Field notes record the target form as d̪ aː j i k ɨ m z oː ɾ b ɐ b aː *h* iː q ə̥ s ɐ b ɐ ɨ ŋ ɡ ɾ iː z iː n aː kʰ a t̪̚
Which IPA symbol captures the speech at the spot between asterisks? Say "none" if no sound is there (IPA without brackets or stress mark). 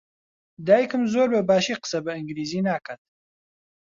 ʃ